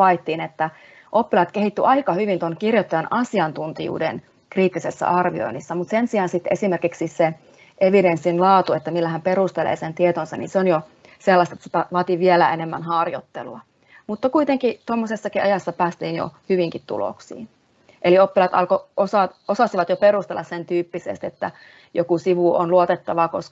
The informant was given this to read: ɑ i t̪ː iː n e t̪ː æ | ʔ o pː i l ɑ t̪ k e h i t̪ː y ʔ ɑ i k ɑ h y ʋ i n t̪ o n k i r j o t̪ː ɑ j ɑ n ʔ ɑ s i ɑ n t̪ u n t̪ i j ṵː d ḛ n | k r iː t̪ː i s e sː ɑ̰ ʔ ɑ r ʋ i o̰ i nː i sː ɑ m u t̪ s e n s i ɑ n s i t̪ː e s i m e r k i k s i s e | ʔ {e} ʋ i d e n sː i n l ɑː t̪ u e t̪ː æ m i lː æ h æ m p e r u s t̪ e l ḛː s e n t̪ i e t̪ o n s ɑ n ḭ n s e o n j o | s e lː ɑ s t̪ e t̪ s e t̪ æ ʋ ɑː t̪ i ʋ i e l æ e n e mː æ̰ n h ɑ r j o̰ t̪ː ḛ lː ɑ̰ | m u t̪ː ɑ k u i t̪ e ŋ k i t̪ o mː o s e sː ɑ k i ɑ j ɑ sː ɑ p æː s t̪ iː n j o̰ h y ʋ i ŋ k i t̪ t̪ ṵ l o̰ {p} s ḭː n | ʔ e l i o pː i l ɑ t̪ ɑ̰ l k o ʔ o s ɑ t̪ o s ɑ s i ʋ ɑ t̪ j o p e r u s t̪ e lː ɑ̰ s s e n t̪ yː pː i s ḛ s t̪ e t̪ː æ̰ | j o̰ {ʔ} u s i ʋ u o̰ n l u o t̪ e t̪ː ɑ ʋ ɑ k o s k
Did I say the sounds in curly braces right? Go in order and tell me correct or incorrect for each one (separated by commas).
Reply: correct, incorrect, incorrect